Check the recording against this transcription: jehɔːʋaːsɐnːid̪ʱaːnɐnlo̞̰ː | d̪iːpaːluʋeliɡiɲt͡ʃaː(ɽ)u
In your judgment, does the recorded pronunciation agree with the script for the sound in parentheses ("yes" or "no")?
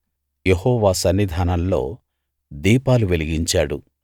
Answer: yes